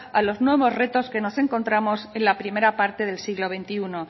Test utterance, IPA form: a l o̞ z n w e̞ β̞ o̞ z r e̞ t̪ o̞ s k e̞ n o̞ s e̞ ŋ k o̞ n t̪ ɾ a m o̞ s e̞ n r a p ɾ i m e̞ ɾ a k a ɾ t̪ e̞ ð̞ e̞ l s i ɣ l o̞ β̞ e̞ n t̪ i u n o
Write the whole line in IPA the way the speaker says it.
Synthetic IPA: a l o̞ z n w e̞ β̞ o̞ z r e̞ t̪ o̞ s k e̞ n o̞ s e̞ ŋ k o̞ n t̪ ɾ a m o̞ s e̞ n l a p ɾ i m e̞ ɾ a p a ɾ t̪ e̞ ð̞ e̞ l s i ɣ l o̞ β̞ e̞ n t̪ i u n o